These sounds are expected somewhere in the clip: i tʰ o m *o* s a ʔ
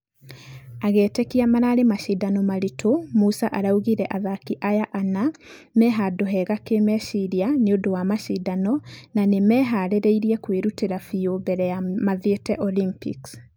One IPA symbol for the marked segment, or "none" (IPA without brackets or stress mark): u